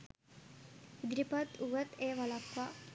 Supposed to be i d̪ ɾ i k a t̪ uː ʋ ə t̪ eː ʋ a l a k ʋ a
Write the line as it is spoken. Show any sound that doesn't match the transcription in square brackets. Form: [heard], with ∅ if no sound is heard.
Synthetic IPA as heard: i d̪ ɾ i [p] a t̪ [u] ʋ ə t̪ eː ʋ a l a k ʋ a